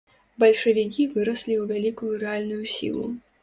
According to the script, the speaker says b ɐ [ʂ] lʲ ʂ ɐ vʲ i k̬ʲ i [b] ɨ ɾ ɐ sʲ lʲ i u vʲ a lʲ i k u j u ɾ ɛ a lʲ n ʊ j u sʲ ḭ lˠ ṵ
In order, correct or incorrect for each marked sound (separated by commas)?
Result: incorrect, incorrect